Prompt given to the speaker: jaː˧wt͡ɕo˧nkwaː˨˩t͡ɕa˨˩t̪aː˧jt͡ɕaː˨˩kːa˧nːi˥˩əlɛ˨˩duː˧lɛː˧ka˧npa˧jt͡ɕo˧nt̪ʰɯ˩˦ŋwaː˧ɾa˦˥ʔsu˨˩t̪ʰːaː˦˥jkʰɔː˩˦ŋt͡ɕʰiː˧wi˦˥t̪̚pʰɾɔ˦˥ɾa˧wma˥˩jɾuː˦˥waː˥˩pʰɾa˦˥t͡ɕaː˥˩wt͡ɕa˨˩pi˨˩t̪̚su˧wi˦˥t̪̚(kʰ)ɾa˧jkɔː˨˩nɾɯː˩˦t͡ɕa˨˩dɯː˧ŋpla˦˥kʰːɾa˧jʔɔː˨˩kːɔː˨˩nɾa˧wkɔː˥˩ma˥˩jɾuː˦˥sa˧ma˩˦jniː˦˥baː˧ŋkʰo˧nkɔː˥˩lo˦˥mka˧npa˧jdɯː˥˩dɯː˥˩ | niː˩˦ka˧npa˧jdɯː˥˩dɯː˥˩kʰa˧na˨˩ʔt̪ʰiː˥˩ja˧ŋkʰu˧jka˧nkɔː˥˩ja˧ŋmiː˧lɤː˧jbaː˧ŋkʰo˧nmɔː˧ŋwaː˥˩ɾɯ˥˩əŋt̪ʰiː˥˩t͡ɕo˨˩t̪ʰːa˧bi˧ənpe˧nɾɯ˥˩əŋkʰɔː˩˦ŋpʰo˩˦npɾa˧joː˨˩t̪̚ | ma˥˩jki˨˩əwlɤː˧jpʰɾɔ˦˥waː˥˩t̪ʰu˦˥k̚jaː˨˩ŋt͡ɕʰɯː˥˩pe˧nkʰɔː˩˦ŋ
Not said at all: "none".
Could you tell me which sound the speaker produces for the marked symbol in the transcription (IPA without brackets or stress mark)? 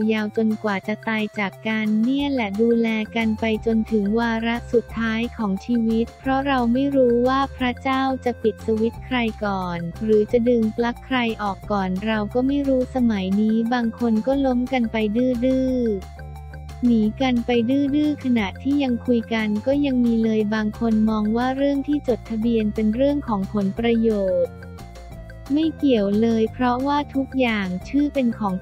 kʰ